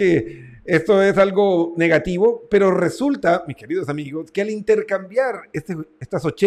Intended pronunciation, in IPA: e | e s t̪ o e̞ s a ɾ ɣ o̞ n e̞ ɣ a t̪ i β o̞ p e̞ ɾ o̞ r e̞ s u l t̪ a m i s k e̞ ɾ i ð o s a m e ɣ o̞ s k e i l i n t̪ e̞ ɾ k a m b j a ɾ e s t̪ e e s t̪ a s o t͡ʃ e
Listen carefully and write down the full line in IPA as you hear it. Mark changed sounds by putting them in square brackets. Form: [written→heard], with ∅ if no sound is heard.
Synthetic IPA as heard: e | e s t̪ o e̞ s a [ɾ→l] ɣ o̞ n e̞ ɣ a t̪ i β o̞ p e̞ ɾ o̞ r e̞ s u l t̪ a m i s k e̞ ɾ i ð o s a m [e→i] ɣ o̞ s k e [i→a] l i n t̪ e̞ ɾ k a m b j a ɾ e s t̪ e e s t̪ a s o t͡ʃ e